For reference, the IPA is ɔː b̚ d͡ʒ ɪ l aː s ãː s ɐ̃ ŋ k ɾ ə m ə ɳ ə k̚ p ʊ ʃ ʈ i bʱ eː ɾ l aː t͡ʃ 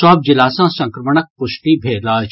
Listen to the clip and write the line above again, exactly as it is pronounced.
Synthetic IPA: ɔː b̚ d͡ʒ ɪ l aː s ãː s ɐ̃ ŋ k ɾ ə m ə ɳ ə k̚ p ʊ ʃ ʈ i bʱ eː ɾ l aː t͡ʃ